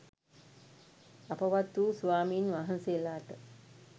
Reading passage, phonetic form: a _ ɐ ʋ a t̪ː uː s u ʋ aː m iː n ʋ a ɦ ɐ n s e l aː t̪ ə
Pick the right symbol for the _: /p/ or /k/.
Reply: p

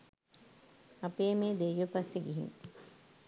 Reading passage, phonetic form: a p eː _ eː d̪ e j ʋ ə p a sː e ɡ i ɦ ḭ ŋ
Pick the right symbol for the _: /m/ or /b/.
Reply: m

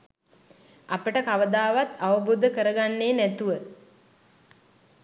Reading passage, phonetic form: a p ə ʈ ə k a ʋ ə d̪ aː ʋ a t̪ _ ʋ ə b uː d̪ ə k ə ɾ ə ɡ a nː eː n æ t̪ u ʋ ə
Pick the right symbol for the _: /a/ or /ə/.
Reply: a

